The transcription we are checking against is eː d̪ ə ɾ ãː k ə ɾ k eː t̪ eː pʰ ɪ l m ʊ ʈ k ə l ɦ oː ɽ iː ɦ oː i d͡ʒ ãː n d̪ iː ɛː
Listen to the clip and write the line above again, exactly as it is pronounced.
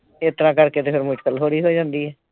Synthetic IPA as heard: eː t̪ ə ɾ ãː k ə ɾ k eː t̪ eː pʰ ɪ ɾ m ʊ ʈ k ə l ɦ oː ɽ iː ɦ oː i d͡ʒ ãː n d̪ iː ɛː